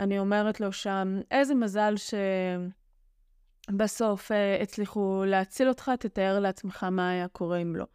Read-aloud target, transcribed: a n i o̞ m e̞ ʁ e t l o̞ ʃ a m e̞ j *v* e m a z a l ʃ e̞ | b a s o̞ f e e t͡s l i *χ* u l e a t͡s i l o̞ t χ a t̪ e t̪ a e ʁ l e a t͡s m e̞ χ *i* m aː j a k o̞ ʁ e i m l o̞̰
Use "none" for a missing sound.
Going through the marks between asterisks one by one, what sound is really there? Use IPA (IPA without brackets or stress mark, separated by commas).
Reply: z, χ, a